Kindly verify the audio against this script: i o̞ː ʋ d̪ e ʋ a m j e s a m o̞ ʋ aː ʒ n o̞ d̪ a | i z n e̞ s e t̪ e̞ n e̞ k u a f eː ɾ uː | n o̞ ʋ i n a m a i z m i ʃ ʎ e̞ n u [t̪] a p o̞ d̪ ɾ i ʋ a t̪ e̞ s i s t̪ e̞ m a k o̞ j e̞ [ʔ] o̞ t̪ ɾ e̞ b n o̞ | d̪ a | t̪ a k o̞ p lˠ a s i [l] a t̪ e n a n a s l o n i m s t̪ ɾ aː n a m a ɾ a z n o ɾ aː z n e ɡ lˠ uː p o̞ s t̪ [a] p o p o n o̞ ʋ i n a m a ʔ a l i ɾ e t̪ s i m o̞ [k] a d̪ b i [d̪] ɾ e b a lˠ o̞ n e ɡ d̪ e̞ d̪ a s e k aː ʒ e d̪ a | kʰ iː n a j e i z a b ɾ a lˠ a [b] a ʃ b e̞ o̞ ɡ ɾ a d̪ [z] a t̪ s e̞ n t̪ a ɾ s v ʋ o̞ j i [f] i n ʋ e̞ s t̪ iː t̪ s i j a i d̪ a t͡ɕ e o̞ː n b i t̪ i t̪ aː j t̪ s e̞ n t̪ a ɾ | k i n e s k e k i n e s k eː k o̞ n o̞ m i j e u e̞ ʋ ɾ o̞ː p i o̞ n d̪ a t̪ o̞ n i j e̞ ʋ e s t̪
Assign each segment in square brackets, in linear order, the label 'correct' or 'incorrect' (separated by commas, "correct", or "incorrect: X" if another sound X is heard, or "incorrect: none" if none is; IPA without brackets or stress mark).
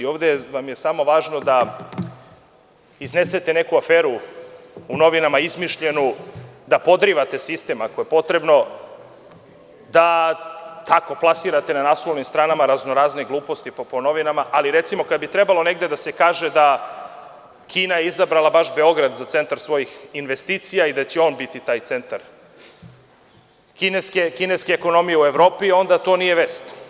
incorrect: d̪, incorrect: p, incorrect: ɾ, incorrect: i, correct, incorrect: t̪, correct, correct, incorrect: x